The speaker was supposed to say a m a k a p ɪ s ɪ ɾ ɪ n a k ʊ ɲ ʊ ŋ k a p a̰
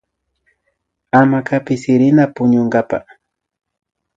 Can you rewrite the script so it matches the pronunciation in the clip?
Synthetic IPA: a m a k a p ɪ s ɪ ɾ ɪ n a p ʊ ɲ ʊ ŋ ɡ a p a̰